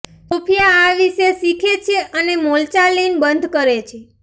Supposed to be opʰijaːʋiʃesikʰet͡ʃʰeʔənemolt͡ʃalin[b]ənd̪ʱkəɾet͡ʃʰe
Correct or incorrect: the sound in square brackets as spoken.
correct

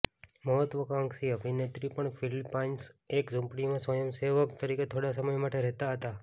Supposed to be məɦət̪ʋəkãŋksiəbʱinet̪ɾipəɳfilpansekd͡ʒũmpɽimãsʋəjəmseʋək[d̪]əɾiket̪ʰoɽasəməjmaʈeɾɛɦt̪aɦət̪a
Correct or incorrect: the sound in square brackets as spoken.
incorrect: t̪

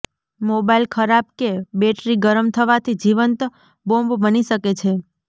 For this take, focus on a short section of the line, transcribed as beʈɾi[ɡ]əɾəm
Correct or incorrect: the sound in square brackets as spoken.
correct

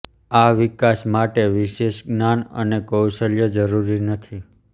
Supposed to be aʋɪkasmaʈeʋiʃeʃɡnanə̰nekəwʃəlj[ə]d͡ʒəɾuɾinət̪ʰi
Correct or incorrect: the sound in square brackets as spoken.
correct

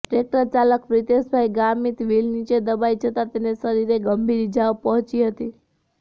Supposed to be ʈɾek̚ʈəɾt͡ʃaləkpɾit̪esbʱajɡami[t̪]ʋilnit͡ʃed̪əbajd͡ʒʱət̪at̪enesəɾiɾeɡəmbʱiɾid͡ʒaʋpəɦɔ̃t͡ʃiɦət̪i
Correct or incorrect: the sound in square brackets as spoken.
correct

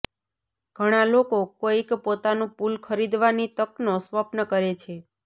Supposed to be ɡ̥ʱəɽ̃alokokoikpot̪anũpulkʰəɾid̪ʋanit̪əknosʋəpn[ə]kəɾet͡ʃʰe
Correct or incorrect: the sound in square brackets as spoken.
correct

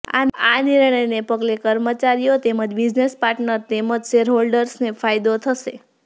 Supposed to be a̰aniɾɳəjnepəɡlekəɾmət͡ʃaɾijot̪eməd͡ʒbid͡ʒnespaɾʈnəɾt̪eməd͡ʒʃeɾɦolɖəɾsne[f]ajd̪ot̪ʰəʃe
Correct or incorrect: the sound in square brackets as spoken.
correct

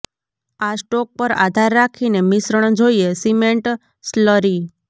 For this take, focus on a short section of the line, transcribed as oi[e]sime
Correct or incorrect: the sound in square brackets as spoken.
correct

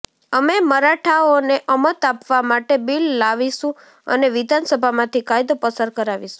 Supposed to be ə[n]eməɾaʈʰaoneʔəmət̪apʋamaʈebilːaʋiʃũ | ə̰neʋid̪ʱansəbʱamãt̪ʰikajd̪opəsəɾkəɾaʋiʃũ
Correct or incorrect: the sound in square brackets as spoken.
incorrect: m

